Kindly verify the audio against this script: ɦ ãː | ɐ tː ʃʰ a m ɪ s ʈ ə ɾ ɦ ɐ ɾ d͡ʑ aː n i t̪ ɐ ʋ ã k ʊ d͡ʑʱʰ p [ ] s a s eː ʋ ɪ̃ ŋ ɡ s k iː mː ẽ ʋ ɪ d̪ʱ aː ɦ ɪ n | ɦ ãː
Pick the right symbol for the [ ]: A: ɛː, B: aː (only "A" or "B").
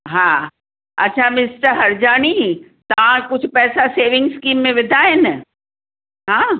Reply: A